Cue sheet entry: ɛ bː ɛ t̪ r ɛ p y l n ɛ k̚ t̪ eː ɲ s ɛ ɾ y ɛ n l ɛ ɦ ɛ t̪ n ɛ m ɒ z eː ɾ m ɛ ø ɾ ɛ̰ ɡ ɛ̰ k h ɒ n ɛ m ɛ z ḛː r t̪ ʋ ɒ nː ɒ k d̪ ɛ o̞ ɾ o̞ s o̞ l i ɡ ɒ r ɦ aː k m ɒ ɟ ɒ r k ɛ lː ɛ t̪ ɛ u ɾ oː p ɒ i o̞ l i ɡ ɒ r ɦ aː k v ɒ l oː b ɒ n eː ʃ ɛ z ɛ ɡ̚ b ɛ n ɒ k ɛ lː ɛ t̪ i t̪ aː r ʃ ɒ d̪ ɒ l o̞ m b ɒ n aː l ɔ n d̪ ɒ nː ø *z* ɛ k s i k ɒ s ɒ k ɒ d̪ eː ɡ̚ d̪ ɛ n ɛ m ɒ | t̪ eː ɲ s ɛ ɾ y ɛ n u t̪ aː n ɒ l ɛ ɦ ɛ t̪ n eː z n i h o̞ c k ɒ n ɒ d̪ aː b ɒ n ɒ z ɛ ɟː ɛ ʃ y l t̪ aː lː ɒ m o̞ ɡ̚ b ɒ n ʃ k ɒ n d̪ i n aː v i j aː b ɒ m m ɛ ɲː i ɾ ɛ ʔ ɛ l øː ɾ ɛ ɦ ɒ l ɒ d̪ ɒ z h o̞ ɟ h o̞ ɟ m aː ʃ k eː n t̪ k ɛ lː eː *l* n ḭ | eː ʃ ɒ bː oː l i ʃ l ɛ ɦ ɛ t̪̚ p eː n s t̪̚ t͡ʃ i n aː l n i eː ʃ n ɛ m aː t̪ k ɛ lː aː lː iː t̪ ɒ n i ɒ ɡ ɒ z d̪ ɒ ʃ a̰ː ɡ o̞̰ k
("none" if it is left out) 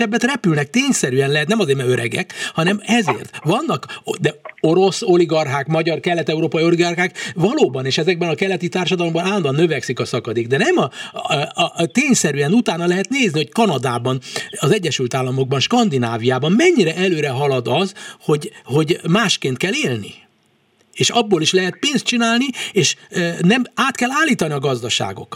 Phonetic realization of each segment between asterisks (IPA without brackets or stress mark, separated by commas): v, l